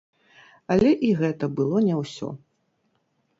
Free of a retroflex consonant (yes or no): yes